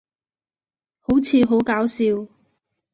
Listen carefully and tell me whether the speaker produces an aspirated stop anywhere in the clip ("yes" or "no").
yes